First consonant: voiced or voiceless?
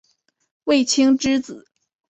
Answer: voiced